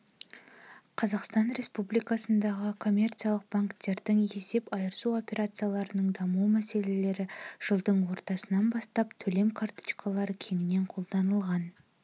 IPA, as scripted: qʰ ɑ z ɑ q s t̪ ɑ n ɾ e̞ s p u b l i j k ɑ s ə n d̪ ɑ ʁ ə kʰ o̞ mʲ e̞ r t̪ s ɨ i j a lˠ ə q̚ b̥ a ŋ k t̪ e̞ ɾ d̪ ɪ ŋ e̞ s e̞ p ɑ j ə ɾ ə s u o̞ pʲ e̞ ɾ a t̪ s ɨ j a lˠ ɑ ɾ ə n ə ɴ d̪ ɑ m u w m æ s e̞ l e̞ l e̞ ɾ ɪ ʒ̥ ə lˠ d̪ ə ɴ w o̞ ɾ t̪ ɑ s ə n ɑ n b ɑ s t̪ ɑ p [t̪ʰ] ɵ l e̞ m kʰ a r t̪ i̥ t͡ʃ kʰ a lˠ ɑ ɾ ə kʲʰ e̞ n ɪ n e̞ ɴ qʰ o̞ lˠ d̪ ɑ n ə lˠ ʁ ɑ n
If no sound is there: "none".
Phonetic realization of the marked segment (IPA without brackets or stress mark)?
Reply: t̪ʰ